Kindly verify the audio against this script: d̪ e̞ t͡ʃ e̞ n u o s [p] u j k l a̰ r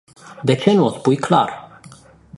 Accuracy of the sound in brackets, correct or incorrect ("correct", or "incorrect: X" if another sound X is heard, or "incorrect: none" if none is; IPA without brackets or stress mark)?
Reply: correct